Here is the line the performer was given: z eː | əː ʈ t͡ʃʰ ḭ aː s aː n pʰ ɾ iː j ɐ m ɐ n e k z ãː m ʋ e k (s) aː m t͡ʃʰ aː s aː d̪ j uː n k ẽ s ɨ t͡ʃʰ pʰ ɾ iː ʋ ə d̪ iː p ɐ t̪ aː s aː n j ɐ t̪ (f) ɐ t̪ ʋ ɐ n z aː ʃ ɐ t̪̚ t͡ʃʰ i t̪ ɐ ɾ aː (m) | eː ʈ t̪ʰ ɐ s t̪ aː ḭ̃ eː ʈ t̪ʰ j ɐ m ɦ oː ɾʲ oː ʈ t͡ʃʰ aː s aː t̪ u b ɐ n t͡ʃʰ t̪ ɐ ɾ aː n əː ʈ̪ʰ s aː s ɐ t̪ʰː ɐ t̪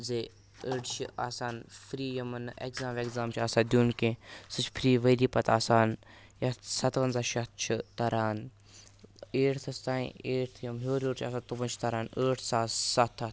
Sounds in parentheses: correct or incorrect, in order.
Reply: incorrect, incorrect, incorrect

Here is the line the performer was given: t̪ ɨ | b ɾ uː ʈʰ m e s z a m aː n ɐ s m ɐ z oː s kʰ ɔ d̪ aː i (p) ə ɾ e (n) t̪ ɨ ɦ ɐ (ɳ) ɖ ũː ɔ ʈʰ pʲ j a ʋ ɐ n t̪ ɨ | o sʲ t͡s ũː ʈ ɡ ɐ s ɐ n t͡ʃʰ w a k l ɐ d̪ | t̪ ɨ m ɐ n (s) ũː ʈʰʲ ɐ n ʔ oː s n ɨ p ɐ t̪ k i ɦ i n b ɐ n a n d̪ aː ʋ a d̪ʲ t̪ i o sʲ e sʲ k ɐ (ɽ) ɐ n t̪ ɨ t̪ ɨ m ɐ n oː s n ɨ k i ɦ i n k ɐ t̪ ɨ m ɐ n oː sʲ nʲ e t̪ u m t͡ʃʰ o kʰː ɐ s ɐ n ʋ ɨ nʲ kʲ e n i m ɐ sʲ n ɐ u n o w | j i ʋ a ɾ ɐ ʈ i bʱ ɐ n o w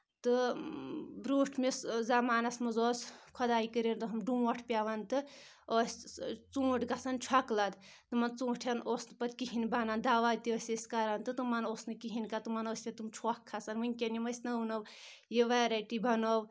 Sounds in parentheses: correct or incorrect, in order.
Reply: incorrect, correct, incorrect, incorrect, incorrect

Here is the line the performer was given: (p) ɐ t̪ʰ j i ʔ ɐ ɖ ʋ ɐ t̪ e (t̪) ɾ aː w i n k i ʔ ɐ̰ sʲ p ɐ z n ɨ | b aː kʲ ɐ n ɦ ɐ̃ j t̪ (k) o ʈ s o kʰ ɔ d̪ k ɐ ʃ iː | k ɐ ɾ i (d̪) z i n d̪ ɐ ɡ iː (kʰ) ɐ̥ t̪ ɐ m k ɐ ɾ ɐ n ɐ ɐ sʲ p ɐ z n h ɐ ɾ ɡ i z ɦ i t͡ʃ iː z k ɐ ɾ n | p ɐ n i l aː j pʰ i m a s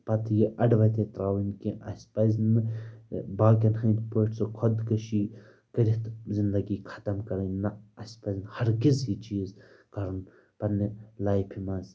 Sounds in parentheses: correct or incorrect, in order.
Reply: correct, correct, incorrect, incorrect, correct

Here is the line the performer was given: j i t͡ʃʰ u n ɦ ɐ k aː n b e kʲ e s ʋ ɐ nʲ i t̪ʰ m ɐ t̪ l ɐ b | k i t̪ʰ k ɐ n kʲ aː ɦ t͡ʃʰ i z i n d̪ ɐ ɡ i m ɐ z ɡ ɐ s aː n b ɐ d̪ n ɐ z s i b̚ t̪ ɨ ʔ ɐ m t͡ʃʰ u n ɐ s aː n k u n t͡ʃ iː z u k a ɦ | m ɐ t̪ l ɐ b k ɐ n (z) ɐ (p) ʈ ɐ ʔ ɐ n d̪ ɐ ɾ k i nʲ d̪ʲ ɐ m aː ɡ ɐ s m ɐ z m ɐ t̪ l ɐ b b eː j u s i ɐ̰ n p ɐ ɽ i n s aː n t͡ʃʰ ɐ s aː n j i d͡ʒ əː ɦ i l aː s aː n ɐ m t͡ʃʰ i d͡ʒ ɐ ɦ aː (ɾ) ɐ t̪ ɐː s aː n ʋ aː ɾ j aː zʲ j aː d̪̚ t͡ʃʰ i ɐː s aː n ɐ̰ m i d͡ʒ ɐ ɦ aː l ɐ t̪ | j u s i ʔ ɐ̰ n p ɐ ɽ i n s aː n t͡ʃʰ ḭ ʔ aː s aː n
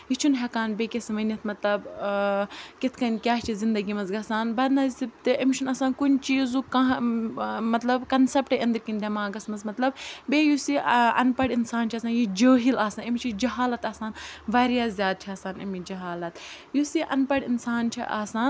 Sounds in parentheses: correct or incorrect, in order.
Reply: incorrect, correct, incorrect

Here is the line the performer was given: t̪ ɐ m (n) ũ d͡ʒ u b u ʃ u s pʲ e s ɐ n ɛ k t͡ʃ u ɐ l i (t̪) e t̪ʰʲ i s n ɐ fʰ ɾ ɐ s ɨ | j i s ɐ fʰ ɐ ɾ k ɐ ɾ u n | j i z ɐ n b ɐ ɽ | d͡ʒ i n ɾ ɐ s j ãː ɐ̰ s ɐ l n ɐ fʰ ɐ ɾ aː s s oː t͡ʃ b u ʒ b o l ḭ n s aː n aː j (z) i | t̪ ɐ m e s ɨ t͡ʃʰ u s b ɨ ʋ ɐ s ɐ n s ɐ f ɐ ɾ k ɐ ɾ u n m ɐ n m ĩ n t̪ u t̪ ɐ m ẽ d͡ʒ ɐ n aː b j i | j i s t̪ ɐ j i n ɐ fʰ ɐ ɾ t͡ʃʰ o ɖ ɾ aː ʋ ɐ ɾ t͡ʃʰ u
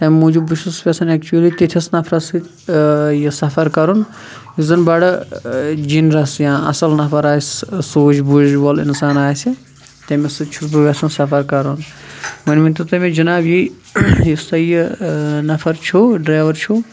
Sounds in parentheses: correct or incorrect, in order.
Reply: incorrect, correct, incorrect

